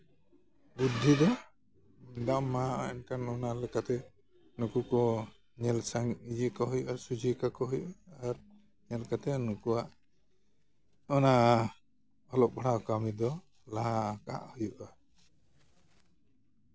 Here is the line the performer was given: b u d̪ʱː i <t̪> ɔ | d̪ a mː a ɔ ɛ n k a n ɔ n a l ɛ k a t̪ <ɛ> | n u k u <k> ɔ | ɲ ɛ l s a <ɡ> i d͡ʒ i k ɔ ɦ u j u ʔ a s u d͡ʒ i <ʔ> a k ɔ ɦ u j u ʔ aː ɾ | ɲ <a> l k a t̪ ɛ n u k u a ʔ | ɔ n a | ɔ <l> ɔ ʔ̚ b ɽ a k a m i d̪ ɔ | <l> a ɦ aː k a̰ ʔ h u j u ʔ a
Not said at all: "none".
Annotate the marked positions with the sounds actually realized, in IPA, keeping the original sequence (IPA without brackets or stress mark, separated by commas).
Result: d̪, ɛ, k, ŋ, k, ɛ, l, l